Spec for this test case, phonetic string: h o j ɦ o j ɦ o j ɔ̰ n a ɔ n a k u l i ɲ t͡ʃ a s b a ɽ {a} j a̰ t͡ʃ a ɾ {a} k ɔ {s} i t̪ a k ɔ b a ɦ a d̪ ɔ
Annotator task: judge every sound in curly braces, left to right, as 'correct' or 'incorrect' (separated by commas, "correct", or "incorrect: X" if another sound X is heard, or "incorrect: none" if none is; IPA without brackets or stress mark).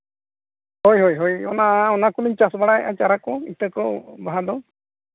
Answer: correct, correct, incorrect: none